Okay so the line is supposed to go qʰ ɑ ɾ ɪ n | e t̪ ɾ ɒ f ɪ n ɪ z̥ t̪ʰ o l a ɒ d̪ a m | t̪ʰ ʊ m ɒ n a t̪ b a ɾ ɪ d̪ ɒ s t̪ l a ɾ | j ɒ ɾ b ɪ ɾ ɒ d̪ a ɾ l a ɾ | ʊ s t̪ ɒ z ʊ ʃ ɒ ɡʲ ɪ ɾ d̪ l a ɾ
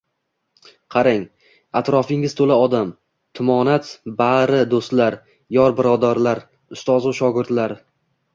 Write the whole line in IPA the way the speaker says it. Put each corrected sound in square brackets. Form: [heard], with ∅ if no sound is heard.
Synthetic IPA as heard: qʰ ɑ ɾ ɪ [ŋ] | [a] t̪ ɾ ɒ f ɪ [ŋ] ɪ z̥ t̪ʰ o l a ɒ d̪ a m | t̪ʰ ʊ m ɒ n a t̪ b a ɾ ɪ d̪ [o] s t̪ l a ɾ | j ɒ ɾ b ɪ ɾ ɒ d̪ a ɾ l a ɾ | ʊ s t̪ ɒ z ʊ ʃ ɒ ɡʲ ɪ ɾ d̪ l a ɾ